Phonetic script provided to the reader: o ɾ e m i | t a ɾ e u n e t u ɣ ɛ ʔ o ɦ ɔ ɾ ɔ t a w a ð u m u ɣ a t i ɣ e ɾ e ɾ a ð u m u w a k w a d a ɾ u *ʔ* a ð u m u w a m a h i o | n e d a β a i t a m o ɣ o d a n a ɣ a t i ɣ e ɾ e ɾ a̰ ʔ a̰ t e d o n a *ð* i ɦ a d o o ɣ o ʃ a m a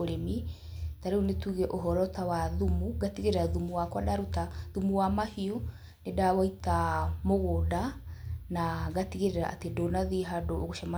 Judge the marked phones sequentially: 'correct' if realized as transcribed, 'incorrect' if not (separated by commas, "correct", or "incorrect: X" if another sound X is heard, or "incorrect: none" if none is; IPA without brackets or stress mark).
incorrect: t, correct